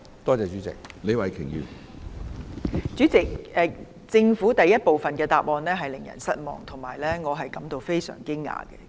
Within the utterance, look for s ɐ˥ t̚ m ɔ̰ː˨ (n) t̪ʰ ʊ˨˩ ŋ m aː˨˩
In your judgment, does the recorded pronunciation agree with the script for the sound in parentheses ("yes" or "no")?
no